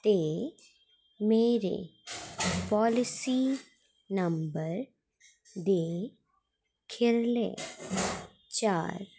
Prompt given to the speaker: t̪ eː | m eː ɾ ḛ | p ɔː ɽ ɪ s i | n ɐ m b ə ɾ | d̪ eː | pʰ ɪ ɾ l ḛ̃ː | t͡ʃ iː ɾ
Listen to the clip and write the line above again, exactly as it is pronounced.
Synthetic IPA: t̪ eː | m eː ɾ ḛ | p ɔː l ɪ s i | n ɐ m b ə ɾ | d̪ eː | kʰ ɪ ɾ l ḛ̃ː | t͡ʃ aː ɾ